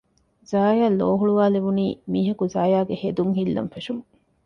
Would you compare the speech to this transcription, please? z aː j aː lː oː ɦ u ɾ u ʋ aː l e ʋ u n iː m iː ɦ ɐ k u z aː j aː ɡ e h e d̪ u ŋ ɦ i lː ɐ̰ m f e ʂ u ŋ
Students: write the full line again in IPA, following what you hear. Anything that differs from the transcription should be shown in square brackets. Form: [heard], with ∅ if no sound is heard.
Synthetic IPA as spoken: z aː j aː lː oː ɦ u [ɭ] u ʋ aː l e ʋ u n iː m iː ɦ ɐ k u z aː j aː ɡ e h e d̪ u ŋ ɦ i lː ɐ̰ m f e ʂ u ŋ